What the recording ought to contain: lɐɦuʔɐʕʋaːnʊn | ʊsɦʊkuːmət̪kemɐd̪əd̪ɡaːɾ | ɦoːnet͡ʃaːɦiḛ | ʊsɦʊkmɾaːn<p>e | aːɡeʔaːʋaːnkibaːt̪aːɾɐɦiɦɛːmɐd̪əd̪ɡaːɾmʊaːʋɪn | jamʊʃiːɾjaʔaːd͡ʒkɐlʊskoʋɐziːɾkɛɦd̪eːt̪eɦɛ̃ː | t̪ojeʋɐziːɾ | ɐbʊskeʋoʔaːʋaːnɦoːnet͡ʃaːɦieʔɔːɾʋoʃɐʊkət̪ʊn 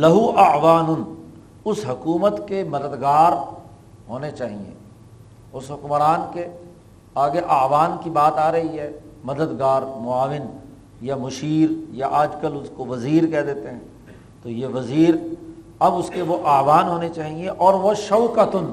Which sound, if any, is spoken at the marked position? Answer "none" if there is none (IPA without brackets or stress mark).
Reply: k